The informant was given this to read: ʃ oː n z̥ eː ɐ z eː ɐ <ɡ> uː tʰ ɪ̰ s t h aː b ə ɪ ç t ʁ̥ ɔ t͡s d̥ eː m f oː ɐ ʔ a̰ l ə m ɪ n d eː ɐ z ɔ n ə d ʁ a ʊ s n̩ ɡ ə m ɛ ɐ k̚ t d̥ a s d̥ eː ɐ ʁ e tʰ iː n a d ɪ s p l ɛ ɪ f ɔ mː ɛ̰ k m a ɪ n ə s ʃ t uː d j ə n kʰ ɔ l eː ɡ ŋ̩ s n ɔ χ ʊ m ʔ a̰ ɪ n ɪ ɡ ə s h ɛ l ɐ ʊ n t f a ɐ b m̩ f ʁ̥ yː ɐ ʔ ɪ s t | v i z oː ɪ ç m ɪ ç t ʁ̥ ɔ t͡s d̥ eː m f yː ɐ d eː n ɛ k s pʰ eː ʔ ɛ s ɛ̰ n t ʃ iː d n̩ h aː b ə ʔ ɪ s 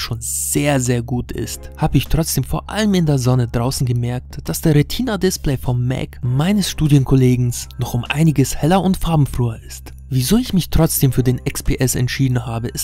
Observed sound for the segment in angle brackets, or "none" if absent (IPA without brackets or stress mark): ɡ